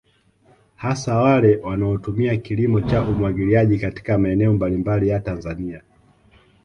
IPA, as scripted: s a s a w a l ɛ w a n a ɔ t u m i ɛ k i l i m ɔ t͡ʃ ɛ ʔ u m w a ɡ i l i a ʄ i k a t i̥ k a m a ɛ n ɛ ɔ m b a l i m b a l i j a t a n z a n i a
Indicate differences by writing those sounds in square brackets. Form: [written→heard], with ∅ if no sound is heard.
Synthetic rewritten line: [s→h] a s a w a l ɛ w a n a ɔ t u m i [ɛ→a] k i l i m ɔ t͡ʃ [ɛ→a] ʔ u m w a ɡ i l i a ʄ i k a t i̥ k a m a ɛ n ɛ ɔ m b a l i m b a l i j a t a n z a n i a